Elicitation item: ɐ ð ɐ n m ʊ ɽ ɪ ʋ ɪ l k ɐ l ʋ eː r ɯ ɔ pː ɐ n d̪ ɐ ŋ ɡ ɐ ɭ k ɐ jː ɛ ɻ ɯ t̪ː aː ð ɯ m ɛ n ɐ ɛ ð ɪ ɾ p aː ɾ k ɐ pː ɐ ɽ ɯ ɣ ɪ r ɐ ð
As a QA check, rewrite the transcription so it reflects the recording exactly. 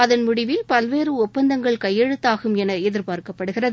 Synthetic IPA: ɐ ð ɐ n m ʊ ɽ ɪ ʋ ɪ l p ɐ l ʋ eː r ɯ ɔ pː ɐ n d̪ ɐ ŋ ɡ ɐ ɭ k ɐ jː ɛ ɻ ɯ t̪ː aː ɣ ɯ m ɛ n ɐ ɛ ð ɪ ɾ p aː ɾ k ɐ pː ɐ ɽ ɯ ɣ ɪ r ɐ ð